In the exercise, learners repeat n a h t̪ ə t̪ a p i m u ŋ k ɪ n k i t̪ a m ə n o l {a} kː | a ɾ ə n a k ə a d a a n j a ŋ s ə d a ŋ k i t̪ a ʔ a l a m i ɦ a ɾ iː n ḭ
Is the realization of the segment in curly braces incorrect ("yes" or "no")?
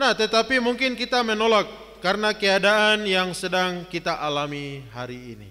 no